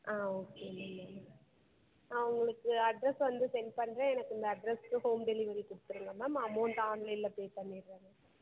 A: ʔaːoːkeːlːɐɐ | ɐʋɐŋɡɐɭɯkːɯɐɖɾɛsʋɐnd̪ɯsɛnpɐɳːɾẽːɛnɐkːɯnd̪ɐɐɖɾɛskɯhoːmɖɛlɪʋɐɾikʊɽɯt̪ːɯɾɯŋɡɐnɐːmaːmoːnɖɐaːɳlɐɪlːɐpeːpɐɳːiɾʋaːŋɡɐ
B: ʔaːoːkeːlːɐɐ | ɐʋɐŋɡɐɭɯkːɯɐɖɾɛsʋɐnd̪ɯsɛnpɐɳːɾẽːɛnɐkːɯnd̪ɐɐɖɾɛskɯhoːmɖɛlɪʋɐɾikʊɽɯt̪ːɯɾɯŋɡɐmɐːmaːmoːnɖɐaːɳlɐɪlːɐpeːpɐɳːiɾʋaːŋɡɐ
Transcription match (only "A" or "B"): B